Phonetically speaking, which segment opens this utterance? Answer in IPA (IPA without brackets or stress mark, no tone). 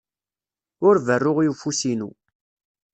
ʊ